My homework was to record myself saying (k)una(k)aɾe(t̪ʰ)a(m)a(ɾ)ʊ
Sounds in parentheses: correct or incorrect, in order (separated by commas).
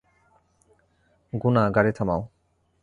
incorrect, incorrect, correct, correct, incorrect